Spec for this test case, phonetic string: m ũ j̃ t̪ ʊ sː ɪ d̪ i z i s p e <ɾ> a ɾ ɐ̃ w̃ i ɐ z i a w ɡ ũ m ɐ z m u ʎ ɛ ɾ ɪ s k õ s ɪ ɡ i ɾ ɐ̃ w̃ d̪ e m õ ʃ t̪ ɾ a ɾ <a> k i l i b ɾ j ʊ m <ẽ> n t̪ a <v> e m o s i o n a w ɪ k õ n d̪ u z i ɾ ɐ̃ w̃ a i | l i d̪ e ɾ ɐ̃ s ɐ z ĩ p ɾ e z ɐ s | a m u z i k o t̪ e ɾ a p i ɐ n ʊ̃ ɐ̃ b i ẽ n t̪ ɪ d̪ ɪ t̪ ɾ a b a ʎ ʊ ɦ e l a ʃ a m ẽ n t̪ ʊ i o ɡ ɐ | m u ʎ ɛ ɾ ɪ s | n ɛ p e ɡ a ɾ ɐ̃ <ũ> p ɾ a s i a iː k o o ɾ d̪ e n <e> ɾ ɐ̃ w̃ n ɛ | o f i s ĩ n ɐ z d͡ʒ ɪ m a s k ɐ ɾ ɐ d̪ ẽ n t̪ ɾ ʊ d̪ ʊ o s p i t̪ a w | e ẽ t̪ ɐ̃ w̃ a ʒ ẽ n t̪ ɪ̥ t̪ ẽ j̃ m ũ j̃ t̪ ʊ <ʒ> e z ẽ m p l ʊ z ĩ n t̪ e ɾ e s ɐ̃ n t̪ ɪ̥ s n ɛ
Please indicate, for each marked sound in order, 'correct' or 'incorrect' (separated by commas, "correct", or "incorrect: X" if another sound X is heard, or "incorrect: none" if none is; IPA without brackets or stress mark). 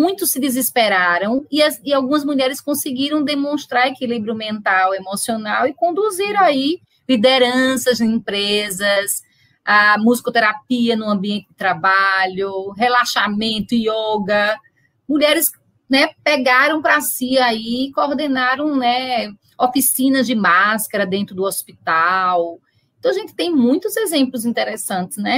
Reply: correct, incorrect: e, correct, incorrect: w, incorrect: w̃, incorrect: a, incorrect: z